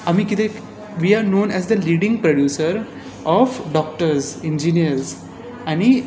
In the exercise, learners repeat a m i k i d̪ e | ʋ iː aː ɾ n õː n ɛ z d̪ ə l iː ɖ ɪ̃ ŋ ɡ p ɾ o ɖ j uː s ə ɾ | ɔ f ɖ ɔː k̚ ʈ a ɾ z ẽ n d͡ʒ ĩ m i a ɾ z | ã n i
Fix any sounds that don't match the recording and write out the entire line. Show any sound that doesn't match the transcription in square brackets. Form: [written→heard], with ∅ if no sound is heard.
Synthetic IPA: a m i k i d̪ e | ʋ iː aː ɾ n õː n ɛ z d̪ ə l iː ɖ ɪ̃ ŋ ɡ p ɾ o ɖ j uː s ə ɾ | ɔ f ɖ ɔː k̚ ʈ [a→ə] ɾ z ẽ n d͡ʒ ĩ [m→n] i [a→ə] ɾ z | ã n i